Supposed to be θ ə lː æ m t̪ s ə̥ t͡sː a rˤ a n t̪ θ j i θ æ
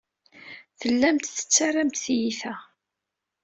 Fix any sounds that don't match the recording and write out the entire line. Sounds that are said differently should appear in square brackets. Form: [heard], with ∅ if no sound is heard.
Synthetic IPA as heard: θ ə lː æ m t̪ [θ] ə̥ t͡sː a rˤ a [m] t̪ θ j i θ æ